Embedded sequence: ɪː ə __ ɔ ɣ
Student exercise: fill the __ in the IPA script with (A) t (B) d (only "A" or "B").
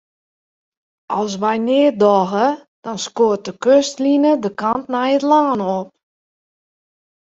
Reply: B